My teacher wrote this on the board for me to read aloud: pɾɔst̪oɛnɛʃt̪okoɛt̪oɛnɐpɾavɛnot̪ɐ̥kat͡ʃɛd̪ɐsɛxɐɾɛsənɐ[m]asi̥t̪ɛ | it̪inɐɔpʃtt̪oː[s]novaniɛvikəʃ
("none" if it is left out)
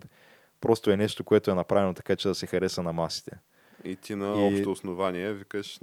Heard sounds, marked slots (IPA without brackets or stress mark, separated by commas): m, s